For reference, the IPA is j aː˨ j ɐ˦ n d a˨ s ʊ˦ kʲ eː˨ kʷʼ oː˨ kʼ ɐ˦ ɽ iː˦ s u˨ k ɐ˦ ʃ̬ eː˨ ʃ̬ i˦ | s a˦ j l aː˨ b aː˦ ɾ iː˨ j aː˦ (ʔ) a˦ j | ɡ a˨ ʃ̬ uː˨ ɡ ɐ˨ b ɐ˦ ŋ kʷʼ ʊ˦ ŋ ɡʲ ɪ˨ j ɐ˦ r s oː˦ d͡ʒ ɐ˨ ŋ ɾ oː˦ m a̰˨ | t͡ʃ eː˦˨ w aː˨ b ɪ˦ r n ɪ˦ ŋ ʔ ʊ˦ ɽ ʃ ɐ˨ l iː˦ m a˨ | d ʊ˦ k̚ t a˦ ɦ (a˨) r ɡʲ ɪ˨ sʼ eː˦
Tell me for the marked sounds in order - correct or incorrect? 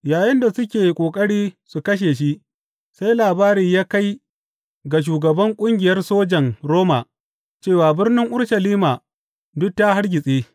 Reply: incorrect: k, incorrect: a˦

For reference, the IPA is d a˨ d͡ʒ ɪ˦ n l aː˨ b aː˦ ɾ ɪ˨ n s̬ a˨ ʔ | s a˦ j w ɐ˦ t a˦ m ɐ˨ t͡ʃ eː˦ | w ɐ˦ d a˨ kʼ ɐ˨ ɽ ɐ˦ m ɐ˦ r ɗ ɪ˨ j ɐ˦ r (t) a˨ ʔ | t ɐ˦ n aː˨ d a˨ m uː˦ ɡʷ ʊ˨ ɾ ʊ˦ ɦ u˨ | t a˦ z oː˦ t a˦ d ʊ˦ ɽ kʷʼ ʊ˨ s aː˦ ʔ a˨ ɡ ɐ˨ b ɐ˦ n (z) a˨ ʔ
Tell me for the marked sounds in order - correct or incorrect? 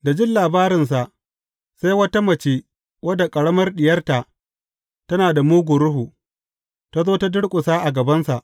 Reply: correct, incorrect: s

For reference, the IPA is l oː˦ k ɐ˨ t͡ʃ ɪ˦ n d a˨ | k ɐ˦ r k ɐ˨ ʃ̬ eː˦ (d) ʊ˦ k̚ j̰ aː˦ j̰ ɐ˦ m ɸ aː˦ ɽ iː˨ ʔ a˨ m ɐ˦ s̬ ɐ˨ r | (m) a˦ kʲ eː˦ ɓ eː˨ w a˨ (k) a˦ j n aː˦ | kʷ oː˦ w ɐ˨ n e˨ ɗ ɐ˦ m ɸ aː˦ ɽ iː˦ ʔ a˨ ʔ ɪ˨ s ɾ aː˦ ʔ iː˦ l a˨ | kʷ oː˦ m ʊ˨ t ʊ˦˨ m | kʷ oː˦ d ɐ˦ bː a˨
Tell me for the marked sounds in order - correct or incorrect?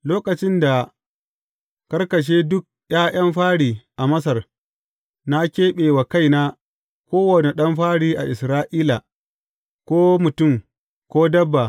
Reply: correct, incorrect: n, correct

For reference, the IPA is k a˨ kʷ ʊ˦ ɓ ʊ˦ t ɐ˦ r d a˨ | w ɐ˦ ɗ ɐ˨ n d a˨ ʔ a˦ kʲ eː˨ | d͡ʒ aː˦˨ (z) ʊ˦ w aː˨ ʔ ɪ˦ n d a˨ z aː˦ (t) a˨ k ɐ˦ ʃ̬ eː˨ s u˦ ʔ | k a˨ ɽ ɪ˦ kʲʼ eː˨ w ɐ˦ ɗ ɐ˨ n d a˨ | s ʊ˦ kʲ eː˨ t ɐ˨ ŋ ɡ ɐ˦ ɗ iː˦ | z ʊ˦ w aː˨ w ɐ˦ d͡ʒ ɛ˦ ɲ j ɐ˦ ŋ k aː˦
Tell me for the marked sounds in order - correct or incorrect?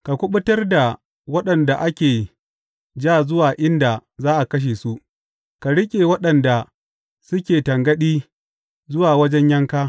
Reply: correct, incorrect: ʔ

